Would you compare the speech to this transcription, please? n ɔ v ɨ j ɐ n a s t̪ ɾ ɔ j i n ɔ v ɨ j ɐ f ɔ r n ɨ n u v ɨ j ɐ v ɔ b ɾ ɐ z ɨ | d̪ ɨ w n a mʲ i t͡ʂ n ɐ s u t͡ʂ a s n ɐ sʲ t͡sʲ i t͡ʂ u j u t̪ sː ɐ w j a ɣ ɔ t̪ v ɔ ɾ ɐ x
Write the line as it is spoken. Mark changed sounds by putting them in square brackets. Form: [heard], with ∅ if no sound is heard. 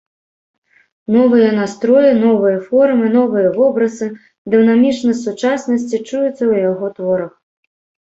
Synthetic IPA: n ɔ v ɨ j ɐ n a s t̪ ɾ ɔ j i n ɔ v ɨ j ɐ f ɔ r [m] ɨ n [ɔ] v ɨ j ɐ v ɔ b ɾ ɐ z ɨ | d̪ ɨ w n a mʲ i t͡ʂ n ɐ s u t͡ʂ a s n ɐ sʲ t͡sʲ i t͡ʂ u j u t̪ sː ɐ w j a ɣ ɔ t̪ v ɔ ɾ ɐ x